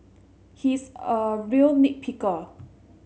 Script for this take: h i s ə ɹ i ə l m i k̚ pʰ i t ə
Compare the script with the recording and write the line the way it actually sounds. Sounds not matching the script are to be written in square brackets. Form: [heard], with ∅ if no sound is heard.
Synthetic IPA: h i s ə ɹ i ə l [n] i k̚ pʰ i [k] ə